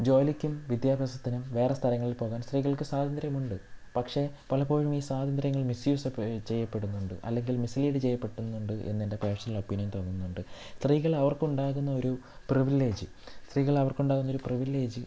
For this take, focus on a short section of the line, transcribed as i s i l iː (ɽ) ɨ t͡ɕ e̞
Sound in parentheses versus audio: correct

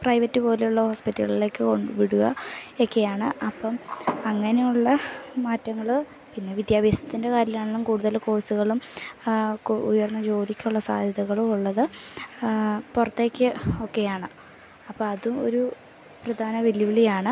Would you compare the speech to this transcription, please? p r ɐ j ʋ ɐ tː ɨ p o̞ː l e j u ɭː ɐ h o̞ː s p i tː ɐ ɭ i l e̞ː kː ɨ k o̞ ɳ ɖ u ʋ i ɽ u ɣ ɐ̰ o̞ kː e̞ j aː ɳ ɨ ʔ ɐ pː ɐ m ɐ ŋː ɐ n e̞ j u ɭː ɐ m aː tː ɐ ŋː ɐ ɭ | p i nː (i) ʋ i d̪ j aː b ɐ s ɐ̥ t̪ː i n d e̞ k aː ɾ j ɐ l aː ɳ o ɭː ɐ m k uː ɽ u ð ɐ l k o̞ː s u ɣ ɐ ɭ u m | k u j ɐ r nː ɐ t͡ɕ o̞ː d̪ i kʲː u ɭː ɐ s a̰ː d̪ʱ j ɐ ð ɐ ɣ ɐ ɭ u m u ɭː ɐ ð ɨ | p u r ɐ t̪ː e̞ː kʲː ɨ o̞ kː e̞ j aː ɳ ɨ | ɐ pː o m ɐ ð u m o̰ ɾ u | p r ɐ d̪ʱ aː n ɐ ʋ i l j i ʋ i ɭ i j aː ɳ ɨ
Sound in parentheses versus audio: incorrect: e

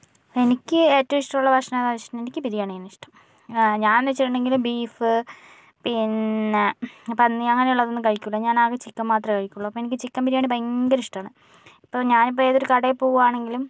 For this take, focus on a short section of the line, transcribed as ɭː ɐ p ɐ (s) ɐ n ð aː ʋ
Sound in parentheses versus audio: incorrect: ʂ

